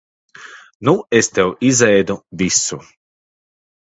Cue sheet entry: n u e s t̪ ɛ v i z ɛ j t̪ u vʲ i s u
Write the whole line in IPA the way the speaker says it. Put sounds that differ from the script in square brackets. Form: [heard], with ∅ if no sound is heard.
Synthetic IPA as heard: n u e s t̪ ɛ [w] i z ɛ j [d̪] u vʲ i s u